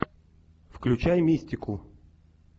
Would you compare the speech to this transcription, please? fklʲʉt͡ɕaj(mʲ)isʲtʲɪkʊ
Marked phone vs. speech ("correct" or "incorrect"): correct